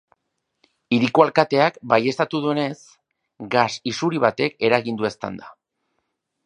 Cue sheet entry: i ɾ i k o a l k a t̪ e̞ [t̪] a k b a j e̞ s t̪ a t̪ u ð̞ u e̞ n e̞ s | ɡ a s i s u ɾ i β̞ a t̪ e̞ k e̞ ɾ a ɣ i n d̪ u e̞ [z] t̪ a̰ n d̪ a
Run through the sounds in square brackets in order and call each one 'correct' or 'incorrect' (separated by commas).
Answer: incorrect, incorrect